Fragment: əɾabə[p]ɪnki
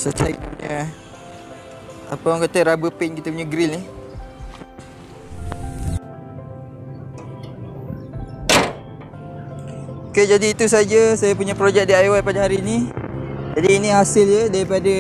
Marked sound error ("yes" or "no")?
no